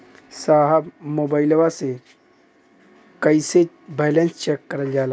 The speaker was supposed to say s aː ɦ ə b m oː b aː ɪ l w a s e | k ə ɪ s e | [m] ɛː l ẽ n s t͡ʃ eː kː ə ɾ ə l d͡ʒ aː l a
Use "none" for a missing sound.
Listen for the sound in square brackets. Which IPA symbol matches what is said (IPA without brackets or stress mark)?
b